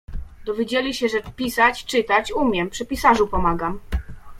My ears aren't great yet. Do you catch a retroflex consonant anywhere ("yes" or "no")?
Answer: yes